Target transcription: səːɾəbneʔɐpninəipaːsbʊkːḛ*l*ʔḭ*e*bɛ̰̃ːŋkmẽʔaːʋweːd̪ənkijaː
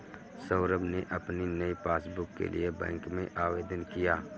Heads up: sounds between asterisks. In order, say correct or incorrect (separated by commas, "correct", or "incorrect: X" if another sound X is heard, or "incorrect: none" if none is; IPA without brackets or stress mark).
correct, correct